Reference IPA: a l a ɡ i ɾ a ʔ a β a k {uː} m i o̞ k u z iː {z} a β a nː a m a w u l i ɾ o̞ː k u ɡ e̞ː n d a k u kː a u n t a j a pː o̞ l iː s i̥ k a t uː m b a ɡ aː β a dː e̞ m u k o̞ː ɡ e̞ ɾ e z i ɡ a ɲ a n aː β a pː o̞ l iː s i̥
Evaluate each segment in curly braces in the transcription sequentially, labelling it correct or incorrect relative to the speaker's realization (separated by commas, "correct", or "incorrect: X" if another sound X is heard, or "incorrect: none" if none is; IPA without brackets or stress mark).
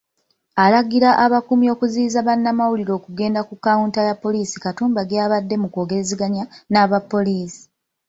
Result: incorrect: u, correct